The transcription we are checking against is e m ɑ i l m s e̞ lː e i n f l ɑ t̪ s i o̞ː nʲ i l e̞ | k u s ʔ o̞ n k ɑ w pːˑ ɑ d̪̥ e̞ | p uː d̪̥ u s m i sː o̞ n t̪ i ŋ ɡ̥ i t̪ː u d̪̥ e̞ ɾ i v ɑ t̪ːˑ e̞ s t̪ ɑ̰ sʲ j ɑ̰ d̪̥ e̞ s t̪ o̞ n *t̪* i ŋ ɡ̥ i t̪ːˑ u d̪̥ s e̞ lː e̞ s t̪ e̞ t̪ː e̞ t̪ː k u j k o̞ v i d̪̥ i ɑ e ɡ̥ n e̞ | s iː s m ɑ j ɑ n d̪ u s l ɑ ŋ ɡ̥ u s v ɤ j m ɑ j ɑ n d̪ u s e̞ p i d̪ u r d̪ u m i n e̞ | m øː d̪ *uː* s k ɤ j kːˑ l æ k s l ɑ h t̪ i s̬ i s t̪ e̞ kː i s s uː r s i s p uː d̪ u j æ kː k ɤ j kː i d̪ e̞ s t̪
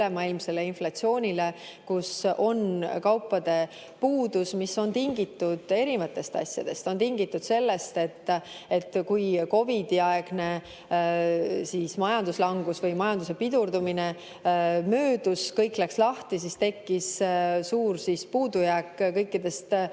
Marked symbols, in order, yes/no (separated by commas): yes, no